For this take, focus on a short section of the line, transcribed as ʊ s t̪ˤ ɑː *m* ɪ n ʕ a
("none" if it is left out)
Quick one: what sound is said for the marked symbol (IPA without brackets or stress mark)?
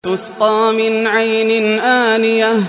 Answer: m